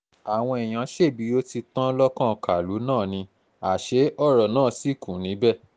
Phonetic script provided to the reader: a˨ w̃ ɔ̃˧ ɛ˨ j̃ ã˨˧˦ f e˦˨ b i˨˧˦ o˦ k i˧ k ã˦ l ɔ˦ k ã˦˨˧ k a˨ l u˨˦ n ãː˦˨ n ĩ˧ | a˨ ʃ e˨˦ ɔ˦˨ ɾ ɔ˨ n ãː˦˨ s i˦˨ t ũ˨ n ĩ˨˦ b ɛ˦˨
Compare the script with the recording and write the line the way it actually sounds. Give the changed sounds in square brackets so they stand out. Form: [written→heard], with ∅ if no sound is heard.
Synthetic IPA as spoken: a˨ w̃ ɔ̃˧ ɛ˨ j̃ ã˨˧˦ [f→ʃ] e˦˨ b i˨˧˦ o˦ [k→t] i˧ [k→t] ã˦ l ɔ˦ k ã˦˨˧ k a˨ l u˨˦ n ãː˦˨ n ĩ˧ | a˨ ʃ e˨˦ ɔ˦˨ ɾ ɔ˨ n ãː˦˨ s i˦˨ [t→k] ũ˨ n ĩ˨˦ b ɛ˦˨